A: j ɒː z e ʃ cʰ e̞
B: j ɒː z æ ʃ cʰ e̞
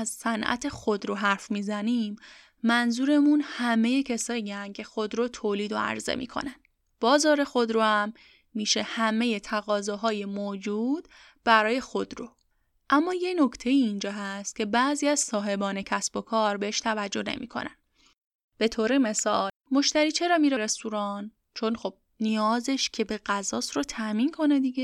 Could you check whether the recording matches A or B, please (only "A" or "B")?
A